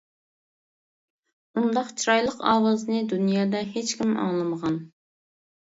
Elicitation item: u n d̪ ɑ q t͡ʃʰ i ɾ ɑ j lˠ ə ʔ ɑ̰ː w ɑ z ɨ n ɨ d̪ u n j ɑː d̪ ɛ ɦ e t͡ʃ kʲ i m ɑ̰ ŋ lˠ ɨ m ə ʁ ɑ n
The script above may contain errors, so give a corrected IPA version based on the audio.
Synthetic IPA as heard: u n d̪ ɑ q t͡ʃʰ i ɾ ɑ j lˠ ə q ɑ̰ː w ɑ z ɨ n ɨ d̪ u n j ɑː d̪ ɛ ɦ e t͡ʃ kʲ i m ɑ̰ ŋ lˠ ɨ m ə ʁ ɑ n